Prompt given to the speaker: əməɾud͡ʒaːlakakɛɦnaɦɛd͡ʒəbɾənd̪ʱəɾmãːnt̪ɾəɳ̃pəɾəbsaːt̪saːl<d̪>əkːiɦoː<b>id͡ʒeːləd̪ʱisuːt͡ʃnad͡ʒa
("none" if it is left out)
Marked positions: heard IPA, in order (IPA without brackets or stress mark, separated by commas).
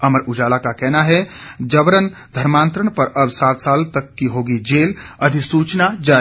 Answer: t̪, ɡ